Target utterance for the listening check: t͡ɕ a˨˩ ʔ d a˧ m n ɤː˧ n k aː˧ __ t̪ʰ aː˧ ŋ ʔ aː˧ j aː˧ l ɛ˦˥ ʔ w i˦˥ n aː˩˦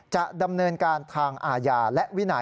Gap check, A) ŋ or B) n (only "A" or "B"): B